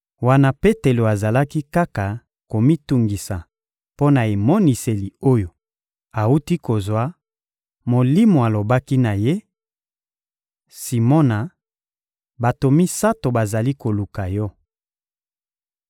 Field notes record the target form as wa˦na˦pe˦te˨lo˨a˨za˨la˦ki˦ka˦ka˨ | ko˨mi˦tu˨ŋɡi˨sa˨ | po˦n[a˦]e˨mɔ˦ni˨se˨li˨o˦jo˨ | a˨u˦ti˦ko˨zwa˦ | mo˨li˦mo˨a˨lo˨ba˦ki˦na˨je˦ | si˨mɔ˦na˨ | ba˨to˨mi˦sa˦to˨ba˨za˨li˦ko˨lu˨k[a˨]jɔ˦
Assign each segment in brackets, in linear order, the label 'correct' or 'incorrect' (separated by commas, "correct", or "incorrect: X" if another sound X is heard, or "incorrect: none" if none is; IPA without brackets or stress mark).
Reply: incorrect: a˨, correct